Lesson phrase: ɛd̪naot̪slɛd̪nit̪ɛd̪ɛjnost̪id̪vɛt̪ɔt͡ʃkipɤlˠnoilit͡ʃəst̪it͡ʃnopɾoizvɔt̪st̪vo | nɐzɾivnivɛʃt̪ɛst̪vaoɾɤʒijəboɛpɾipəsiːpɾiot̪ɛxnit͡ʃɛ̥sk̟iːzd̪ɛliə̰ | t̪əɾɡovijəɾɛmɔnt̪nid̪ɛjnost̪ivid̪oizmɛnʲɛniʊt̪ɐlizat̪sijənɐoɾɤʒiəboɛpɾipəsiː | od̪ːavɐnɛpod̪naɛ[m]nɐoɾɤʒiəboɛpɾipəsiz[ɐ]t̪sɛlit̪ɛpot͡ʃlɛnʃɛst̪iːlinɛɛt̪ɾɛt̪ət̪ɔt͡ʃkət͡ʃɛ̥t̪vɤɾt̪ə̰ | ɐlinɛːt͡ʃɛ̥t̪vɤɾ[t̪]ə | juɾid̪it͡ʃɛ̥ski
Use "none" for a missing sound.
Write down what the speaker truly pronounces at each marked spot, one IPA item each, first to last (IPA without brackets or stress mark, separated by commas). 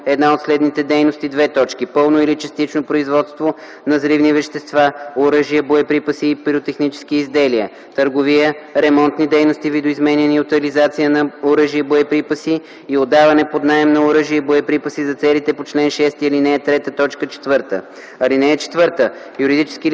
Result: m, ɐ, t̪